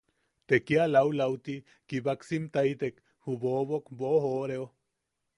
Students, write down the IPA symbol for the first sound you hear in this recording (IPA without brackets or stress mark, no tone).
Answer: t̪